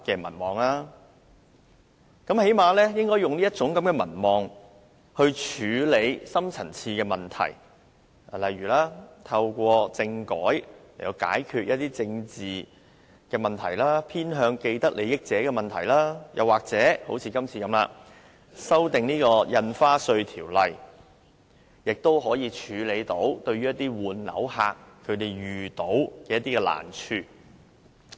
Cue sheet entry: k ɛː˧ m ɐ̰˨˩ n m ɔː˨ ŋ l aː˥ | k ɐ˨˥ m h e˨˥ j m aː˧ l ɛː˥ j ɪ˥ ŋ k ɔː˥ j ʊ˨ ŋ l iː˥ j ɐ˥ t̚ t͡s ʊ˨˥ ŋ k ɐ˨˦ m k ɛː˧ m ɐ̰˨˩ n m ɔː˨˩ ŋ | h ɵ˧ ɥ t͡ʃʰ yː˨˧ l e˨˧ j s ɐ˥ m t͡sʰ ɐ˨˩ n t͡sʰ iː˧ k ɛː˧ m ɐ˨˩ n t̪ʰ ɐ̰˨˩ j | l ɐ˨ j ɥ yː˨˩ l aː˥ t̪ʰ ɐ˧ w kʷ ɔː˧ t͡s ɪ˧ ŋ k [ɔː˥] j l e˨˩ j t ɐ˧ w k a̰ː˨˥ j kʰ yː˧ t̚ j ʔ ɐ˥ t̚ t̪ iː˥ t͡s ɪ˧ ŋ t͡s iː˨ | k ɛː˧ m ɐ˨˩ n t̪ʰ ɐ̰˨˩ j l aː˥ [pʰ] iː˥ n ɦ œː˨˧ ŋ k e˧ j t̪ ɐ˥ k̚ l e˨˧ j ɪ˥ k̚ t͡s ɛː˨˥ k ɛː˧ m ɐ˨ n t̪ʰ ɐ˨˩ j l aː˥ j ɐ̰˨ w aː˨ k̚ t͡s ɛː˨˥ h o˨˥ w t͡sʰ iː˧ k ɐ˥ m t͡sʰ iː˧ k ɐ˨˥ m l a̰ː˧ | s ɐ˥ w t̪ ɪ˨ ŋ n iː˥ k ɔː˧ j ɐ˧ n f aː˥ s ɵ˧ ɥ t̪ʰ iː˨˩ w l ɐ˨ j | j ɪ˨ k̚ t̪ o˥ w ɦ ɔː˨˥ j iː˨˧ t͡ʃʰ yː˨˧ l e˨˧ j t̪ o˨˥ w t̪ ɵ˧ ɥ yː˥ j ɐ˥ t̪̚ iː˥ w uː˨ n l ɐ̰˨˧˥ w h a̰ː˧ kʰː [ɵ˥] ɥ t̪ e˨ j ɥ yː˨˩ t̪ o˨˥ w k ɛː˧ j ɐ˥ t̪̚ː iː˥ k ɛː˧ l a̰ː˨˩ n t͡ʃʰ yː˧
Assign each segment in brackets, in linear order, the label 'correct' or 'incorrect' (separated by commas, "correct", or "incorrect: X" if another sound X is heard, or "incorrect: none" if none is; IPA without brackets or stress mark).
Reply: incorrect: ɔː˨˥, correct, incorrect: ɵ˨˧